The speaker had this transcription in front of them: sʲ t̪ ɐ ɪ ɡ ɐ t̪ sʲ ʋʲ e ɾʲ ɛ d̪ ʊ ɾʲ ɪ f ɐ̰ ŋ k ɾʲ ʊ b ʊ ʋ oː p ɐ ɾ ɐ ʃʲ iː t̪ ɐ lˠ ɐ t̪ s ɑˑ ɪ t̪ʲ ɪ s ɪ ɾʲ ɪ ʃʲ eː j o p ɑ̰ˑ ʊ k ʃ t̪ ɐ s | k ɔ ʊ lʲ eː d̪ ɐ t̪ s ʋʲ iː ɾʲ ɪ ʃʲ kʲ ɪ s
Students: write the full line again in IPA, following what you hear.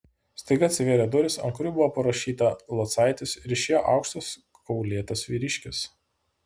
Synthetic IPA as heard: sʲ t̪ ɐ ɪ ɡ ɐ t̪ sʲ ʋʲ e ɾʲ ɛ d̪ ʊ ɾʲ ɪ s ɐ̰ ŋ k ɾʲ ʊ b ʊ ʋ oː p ɐ ɾ ɐ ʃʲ iː t̪ ɐ lˠ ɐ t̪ s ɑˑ ɪ t̪ʲ ɪ s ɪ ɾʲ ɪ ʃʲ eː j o ʔ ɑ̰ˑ ʊ k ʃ t̪ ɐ s | k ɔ ʊ lʲ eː t̪ ɐ s ʋʲ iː ɾʲ ɪ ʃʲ kʲ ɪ s